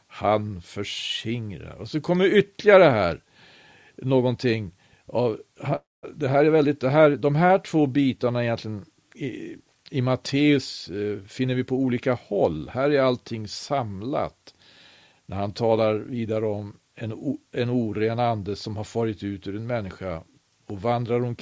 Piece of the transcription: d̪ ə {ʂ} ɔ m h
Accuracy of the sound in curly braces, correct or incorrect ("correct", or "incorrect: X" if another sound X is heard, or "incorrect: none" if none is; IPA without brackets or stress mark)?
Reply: incorrect: s